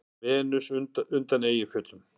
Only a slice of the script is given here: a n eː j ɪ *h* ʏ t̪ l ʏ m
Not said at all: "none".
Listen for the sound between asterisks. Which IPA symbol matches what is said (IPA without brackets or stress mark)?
f